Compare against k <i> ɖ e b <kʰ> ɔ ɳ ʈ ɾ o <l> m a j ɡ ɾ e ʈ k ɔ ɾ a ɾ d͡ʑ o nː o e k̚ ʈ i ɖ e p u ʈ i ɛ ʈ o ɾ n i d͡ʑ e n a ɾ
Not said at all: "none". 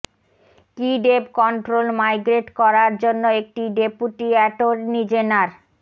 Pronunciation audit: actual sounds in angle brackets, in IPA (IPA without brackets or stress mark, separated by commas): i, k, l